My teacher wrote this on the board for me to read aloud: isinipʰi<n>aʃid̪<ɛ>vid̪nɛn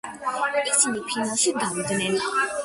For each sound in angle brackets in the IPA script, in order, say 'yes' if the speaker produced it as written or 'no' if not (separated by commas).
yes, no